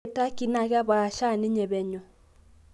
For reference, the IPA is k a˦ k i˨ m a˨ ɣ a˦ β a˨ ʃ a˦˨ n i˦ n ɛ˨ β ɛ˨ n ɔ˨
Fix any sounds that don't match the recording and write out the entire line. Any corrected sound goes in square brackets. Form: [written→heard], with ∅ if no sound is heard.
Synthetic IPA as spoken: [k→t] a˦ k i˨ [m→n] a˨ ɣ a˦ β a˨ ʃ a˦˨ n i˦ [n→ɲ] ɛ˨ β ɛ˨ [n→ɲ] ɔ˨